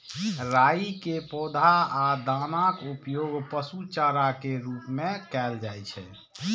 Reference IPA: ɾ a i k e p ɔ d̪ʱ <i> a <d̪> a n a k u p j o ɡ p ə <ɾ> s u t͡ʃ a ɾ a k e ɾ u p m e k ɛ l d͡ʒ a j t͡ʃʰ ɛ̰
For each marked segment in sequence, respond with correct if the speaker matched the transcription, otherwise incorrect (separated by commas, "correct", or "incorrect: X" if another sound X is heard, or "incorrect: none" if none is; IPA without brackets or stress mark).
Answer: incorrect: a, correct, incorrect: none